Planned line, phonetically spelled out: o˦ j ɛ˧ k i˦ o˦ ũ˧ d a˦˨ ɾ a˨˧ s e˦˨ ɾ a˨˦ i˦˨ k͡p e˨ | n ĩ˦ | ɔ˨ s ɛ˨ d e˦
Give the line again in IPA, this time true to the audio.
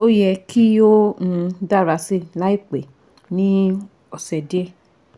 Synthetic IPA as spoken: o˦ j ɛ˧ k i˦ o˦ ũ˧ d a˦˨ ɾ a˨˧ s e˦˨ l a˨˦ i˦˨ k͡p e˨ | n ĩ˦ | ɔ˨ s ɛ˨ d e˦

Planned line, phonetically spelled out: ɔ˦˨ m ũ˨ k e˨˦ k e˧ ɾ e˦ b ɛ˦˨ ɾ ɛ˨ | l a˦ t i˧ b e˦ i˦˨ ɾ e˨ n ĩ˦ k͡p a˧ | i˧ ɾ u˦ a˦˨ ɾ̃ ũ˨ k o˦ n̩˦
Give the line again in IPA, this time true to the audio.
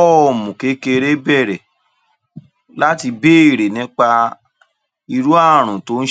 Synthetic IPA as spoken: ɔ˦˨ m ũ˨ k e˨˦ k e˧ ɾ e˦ b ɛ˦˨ ɾ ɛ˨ | l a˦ t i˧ b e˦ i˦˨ ɾ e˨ n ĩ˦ k͡p a˧ | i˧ ɾ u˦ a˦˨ ɾ̃ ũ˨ t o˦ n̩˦

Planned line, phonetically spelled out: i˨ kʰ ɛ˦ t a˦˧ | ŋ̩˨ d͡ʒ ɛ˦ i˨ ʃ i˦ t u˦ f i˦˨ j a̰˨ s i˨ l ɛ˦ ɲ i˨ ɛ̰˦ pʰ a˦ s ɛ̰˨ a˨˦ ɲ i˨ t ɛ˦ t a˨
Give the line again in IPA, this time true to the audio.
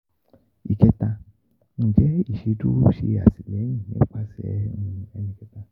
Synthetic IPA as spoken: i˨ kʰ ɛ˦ t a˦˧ | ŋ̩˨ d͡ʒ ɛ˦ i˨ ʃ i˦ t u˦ ʃ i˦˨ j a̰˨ s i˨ l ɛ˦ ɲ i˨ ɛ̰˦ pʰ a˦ s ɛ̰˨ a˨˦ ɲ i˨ k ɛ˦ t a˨

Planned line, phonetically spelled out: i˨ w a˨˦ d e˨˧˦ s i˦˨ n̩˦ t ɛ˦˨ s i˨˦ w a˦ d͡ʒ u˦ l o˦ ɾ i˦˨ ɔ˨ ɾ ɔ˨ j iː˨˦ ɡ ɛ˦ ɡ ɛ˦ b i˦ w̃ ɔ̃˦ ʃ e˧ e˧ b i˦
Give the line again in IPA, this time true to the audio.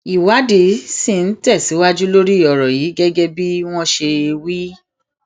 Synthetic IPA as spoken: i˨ w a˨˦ d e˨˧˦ s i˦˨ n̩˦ t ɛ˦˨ s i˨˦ w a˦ d͡ʒ u˦ l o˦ ɾ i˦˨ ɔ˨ ɾ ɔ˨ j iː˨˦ ɡ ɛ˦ ɡ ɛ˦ b i˦ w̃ ɔ̃˦ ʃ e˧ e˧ w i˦

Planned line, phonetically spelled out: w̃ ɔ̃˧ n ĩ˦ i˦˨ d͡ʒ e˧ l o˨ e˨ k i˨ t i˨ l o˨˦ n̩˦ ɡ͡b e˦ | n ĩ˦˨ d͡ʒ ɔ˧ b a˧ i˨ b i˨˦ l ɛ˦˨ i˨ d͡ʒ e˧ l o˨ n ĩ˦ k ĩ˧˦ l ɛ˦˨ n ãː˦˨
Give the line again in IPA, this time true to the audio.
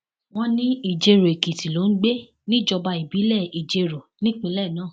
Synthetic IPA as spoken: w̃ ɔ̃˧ n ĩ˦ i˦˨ d͡ʒ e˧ ɾ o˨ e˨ k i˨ t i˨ l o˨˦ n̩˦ ɡ͡b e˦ | n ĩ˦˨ d͡ʒ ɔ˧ b a˧ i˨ b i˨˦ l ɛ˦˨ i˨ d͡ʒ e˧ ɾ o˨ n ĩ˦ k͡p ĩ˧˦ l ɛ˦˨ n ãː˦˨

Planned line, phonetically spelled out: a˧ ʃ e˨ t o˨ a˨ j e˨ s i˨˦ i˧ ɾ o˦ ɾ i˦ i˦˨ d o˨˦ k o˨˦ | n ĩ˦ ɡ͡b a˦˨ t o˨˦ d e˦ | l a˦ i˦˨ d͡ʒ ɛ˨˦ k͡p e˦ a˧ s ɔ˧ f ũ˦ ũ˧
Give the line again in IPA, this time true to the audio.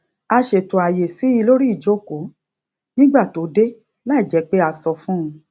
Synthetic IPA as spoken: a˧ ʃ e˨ t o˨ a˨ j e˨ s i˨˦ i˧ l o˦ ɾ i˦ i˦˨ d͡ʒ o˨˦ k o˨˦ | n ĩ˦ ɡ͡b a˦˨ t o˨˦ d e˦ | l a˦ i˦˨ d͡ʒ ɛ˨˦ k͡p e˦ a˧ s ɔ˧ f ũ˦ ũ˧

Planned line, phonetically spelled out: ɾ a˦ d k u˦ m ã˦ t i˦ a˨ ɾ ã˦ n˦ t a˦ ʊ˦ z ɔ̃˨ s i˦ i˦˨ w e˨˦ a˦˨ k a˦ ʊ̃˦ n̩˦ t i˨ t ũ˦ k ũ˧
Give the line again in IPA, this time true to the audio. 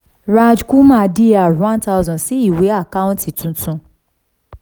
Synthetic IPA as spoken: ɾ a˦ d͡ʒ k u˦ m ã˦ d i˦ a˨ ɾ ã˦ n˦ t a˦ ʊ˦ z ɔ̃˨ s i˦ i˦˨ w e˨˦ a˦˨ k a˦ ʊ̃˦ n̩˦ t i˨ t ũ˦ t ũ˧

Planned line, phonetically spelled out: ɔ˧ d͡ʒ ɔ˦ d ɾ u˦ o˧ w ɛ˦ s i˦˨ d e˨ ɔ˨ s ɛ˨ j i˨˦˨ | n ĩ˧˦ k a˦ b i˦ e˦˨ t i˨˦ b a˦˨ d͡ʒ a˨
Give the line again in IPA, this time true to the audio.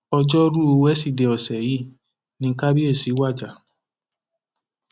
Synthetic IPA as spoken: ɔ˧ d͡ʒ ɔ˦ ɾ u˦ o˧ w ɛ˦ s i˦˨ d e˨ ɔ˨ s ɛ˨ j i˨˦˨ | n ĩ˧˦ k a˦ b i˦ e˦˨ s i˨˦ w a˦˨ d͡ʒ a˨

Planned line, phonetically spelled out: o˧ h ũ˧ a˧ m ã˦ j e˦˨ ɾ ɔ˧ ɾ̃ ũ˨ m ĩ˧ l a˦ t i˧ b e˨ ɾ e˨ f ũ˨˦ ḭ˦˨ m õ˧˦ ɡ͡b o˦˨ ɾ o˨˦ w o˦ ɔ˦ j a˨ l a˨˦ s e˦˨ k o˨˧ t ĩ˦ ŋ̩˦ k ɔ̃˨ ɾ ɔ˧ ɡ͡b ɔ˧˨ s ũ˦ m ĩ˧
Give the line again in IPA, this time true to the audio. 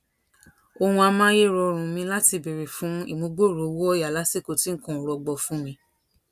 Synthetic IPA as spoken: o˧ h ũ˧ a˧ m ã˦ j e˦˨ ɾ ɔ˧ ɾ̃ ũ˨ m ĩ˧ l a˦ t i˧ b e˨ ɾ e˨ f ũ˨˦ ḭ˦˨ m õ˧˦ ɡ͡b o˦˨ ɾ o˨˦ w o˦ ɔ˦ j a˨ l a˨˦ s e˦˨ k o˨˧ t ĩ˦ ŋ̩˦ k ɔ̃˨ ɾ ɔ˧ ɡ͡b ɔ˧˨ f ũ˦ m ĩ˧

